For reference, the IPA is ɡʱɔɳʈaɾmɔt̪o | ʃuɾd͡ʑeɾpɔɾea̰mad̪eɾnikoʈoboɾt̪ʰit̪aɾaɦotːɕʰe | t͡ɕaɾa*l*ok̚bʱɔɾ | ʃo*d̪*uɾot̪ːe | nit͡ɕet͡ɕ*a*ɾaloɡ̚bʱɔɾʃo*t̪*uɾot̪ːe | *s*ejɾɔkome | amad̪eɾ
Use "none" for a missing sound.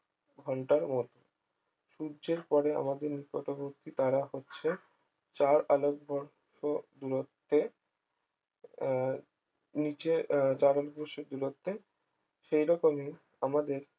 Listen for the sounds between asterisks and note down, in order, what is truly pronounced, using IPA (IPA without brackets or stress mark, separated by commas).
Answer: l, d̪, a, d̪, ʃ